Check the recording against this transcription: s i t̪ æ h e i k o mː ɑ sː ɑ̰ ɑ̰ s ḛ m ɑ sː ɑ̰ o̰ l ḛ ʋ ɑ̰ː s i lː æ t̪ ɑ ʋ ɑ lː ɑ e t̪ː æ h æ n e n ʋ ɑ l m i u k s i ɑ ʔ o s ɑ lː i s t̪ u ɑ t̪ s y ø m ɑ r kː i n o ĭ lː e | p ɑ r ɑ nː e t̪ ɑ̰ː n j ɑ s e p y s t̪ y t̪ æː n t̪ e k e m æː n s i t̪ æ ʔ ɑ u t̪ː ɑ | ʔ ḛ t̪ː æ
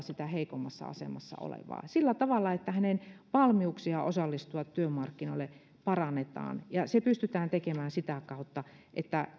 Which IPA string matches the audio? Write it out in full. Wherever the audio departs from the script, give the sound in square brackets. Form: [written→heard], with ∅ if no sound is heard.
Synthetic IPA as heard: s i t̪ æ h e i k o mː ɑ sː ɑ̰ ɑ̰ s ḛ m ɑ sː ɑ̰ o̰ l ḛ ʋ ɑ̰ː s i lː æ t̪ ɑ ʋ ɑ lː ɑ e t̪ː æ h æ n e n ʋ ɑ l m i u k s i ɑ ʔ o s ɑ lː i s t̪ u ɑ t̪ [s→t] y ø m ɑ r kː i n o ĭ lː e | p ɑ r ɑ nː e t̪ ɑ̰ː n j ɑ s e p y s t̪ y t̪ æː n t̪ e k e m æː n s i t̪ æ [ʔ→k] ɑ u t̪ː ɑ | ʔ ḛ t̪ː æ

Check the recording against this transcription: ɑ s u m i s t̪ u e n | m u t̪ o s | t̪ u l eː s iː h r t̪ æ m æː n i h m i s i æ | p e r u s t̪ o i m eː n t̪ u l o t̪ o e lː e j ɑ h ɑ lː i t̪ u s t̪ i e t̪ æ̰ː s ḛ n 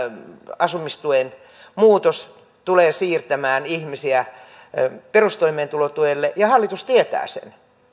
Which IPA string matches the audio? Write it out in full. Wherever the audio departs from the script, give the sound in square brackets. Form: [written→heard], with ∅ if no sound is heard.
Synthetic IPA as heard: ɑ s u m i s t̪ u e n | m [u→uː] t̪ o s | t̪ u l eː s iː [h→∅] r t̪ æ m æː n i h m i s i æ | p e r u s t̪ o i m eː n t̪ u l o t̪ [o→u] e lː e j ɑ h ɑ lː i t̪ u s t̪ i e t̪ æ̰ː s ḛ n

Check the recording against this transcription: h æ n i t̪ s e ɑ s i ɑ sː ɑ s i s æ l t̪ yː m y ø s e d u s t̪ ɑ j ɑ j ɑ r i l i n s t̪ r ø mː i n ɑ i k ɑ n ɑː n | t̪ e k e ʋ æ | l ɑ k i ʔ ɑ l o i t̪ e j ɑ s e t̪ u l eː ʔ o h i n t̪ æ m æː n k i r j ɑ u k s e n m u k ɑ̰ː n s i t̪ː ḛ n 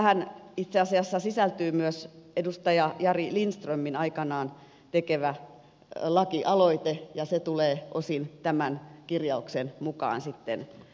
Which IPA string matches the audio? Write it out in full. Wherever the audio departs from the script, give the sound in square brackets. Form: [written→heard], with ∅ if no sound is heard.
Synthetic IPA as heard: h æ n i t̪ s e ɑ s i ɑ sː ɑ s i s æ l t̪ yː m y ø s e d u s t̪ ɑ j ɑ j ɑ r i l i n s t̪ r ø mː i n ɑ i k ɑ n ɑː n | t̪ e k e ʋ æ | l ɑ k i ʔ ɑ l o i t̪ e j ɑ s e t̪ u l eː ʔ o [h→s] i n t̪ æ m [æː→æ] n k i r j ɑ u k s e n m u k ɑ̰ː n s i t̪ː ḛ n

